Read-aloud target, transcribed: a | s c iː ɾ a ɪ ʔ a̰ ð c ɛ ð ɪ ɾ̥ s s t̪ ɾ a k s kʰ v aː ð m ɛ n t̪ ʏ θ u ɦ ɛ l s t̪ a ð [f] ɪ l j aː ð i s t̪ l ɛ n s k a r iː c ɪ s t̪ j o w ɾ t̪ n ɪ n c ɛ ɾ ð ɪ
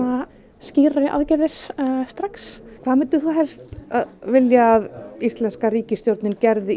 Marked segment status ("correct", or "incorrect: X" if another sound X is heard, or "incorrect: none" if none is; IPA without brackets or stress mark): incorrect: v